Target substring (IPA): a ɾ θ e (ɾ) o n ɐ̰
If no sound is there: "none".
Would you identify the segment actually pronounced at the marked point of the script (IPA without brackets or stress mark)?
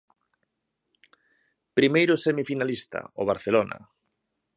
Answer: l